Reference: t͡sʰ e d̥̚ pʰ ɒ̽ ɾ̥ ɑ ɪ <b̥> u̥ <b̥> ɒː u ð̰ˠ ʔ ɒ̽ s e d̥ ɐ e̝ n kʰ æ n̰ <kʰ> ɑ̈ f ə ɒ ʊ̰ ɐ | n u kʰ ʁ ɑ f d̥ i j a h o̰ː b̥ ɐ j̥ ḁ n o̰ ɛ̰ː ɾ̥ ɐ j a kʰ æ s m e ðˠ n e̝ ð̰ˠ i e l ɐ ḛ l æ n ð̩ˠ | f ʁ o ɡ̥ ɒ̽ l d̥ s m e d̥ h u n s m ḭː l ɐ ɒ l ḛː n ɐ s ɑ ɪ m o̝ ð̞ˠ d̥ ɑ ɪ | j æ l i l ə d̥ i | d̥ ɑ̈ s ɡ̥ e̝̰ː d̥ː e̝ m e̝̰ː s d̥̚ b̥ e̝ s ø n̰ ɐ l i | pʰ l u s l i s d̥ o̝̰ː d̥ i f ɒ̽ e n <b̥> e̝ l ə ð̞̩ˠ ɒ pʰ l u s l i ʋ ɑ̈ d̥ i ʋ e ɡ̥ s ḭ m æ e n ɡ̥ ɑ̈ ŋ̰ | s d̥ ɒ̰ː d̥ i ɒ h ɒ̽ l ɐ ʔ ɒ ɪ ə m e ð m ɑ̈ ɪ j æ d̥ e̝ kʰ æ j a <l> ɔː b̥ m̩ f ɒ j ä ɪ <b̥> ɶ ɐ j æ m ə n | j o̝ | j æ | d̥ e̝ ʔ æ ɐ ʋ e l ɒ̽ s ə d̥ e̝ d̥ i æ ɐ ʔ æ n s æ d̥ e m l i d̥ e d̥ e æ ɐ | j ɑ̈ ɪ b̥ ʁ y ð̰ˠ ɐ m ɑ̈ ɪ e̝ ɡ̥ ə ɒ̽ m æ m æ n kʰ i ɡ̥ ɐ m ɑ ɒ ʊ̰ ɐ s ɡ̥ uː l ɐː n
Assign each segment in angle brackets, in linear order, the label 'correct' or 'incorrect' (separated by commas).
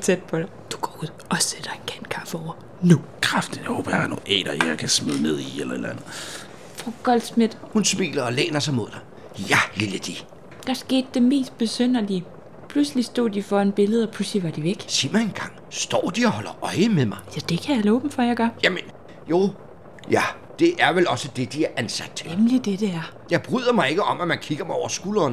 incorrect, incorrect, correct, correct, correct, incorrect